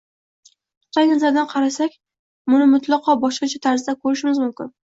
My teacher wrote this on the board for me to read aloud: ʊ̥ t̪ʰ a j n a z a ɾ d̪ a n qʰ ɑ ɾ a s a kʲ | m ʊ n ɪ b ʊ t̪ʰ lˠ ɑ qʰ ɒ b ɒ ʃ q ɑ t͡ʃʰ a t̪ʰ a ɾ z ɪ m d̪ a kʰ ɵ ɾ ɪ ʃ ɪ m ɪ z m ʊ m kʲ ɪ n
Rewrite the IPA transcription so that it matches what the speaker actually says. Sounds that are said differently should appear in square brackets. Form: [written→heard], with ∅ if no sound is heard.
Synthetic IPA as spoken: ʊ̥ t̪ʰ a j n a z a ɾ d̪ a n qʰ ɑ ɾ a s a kʲ | m ʊ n ɪ [b→m] ʊ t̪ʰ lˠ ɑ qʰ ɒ b ɒ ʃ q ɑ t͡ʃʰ a t̪ʰ a ɾ z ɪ [m→∅] d̪ a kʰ ɵ ɾ ɪ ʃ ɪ m ɪ z m ʊ m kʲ ɪ n

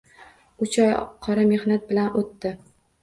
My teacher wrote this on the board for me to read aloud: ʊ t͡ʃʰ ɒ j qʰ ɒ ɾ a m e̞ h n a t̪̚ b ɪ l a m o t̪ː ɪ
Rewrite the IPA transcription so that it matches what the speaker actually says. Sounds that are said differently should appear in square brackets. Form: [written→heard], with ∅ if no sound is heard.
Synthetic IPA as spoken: ʊ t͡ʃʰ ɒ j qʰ ɒ ɾ a m e̞ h n a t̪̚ b ɪ l a [m→n] o t̪ː ɪ

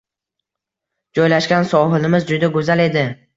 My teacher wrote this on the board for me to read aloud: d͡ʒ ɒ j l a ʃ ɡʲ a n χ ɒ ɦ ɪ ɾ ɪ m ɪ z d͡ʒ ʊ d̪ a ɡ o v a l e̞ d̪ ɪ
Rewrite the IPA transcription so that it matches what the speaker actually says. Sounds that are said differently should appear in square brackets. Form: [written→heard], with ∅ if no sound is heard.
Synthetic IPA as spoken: d͡ʒ ɒ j l a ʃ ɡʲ a n [χ→s] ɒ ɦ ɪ [ɾ→l] ɪ m ɪ z d͡ʒ ʊ d̪ a ɡ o [v→z] a l e̞ d̪ ɪ

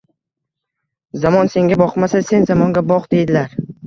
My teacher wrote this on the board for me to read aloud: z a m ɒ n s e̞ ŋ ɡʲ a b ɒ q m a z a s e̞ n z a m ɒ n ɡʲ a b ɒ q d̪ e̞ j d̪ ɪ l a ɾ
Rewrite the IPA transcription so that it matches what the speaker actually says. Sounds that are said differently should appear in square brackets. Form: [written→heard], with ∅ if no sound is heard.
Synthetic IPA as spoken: z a m ɒ n s e̞ ŋ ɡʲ a b ɒ q m a [z→s] a s e̞ n z a m ɒ [n→ŋ] ɡʲ a b ɒ q d̪ e̞ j d̪ ɪ l a ɾ

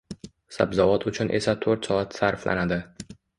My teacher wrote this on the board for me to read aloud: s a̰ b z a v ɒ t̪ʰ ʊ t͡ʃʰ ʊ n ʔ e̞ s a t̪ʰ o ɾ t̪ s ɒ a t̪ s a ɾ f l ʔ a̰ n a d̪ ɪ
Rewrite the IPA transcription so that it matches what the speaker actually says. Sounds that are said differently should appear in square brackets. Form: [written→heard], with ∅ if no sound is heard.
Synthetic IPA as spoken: s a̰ b z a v ɒ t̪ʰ ʊ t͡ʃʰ ʊ n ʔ e̞ s a t̪ʰ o ɾ t̪ s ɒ a t̪ s a ɾ f l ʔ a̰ n a d̪ ɪ

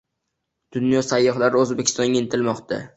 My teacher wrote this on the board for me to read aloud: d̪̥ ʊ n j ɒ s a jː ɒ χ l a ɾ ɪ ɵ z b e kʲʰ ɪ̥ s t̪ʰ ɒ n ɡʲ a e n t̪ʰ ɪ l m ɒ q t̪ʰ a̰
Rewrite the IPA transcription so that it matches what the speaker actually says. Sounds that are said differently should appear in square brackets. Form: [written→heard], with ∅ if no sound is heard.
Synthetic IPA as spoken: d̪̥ ʊ n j ɒ s a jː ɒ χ l a ɾ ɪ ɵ z b e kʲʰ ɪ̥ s [t̪ʰ→t̪] ɒ n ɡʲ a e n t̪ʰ ɪ l m ɒ q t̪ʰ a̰

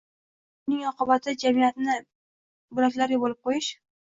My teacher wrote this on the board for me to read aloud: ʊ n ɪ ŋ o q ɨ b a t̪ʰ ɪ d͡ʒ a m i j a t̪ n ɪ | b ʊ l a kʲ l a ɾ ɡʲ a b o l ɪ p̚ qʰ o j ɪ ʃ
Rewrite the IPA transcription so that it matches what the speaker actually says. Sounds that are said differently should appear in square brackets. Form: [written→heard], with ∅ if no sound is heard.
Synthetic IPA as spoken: ʊ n ɪ ŋ [o→ɒ] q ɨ b a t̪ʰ ɪ d͡ʒ a m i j a t̪ n ɪ | b ʊ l a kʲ l a ɾ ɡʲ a b o l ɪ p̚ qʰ o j ɪ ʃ

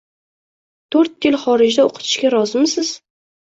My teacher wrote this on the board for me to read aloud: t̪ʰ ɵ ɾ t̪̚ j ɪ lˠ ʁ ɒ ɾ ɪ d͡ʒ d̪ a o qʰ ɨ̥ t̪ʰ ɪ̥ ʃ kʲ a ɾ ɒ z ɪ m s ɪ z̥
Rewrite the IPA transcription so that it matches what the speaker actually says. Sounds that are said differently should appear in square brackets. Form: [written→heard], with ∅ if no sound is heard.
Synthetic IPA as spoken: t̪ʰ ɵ ɾ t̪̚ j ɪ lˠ [ʁ→χ] ɒ ɾ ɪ d͡ʒ d̪ a o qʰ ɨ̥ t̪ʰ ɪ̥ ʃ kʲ a ɾ ɒ z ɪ m s ɪ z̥

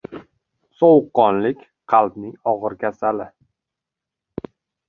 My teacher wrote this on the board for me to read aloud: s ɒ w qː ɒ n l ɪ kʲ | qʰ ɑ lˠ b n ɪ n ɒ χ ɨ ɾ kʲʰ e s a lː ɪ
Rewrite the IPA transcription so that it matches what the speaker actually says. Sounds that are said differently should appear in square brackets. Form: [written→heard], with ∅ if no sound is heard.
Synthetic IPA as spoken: s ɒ w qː ɒ n l ɪ kʲ | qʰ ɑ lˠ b n ɪ [n→ŋ] ɒ [χ→ʁ] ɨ ɾ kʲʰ [e→a] s a [lː→l] ɪ

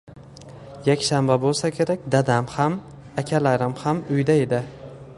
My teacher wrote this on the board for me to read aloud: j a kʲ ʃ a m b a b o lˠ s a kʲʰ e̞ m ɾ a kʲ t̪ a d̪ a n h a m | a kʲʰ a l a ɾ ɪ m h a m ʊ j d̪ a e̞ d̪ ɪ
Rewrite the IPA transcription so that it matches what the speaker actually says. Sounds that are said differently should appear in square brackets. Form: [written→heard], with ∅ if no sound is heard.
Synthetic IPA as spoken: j a kʲ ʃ a m b a b o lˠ s a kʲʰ e̞ [m→∅] ɾ a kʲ [t̪→d̪] a d̪ a [n→m] h a m | a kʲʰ a l a ɾ ɪ m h a m ʊ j d̪ a e̞ d̪ ɪ

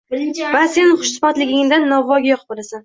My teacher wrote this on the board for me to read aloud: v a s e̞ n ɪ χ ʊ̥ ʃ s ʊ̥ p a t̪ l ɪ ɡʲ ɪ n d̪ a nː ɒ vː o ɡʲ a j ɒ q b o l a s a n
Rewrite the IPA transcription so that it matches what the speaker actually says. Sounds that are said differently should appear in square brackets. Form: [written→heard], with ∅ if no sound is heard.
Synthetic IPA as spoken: v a s e̞ n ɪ χ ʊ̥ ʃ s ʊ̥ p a t̪ l ɪ ɡʲ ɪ [n→ŋ] d̪ a nː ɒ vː [o→ɒ] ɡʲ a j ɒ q b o l a s a n

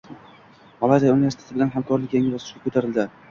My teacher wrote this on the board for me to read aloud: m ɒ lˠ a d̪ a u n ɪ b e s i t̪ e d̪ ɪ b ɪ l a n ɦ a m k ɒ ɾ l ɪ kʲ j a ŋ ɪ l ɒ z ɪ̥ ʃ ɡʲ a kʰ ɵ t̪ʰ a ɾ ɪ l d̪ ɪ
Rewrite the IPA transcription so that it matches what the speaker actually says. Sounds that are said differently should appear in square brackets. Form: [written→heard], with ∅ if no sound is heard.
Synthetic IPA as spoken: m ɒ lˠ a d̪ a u n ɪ [b→v] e s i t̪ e [d̪→t̪] ɪ b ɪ l a n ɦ a m k ɒ ɾ l ɪ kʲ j a ŋ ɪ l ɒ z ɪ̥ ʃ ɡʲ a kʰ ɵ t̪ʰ a ɾ ɪ l d̪ ɪ

